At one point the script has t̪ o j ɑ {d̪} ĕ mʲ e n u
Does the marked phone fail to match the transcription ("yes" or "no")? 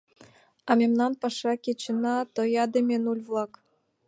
no